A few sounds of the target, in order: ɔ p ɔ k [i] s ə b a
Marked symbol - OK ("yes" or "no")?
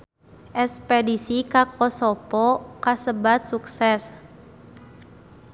no